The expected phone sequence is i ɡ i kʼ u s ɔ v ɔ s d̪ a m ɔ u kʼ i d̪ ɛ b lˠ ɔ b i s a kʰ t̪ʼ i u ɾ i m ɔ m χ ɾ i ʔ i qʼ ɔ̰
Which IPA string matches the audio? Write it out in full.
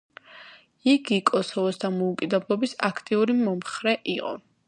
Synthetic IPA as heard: i ɡ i kʼ ɔ s ɔ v ɔ s d̪ a m ɔ u kʼ i d̪ ɛ b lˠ ɔ b i s a kʰ t̪ʼ i u ɾ i m ɔ m χ ɾ ɛ ʔ i qʼ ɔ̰